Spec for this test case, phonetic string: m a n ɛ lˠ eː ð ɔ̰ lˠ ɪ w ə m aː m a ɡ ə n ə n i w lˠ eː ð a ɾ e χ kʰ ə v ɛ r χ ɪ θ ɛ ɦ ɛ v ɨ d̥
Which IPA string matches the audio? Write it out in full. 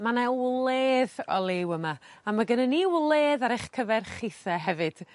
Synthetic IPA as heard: m a n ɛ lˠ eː ð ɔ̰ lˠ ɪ w ə m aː m a ɡ ə n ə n i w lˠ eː ð a ɾ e χ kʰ ə v ɛ r χ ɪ θ ɛ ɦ ɛ v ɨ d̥